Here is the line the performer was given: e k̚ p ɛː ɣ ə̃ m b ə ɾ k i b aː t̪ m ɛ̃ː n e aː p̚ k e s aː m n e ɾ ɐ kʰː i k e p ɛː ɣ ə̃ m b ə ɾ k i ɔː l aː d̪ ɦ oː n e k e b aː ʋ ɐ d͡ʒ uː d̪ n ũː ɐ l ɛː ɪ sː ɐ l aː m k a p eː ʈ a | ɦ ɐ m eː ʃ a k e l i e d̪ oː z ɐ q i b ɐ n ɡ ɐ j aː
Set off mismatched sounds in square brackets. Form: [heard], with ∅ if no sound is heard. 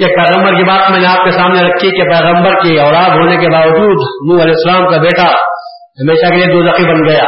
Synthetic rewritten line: e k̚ p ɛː ɣ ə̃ m b ə ɾ k i b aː t̪ m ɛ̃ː n e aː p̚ k e s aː m n e ɾ ɐ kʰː i k e p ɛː ɣ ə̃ m b ə ɾ k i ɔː l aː d̪ ɦ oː n e k e b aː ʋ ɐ d͡ʒ uː d̪ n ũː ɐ l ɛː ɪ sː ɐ l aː m k a [b] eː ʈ a | ɦ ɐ m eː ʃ a k e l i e d̪ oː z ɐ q i b ɐ n ɡ ɐ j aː